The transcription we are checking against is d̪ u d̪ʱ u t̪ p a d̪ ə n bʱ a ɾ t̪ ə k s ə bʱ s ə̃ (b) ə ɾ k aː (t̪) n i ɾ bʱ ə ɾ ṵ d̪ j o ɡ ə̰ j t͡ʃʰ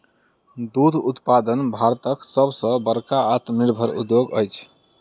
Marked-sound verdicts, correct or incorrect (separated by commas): correct, correct